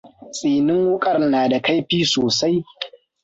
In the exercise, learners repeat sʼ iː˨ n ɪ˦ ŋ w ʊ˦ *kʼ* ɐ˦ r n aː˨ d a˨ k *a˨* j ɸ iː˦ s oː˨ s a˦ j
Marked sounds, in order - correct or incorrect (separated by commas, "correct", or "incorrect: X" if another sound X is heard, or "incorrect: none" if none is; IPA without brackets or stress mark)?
correct, incorrect: a˦